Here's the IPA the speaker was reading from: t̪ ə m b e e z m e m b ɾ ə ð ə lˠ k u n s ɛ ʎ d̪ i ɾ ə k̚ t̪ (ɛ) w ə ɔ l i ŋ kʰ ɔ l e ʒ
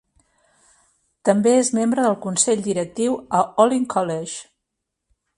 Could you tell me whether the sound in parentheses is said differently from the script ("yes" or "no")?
yes